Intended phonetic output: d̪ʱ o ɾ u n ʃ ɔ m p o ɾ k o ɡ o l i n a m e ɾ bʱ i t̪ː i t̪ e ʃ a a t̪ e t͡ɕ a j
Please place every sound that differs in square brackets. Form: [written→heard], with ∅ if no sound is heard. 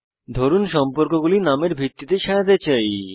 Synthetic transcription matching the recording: d̪ʱ o ɾ u n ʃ ɔ m p o ɾ k o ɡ [o→u] l i n a m e ɾ bʱ i t̪ː i t̪ e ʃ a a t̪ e t͡ɕ a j